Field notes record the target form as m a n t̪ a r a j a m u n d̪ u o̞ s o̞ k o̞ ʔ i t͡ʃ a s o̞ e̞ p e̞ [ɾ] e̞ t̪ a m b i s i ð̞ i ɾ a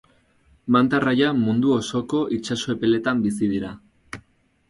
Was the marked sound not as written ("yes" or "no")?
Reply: yes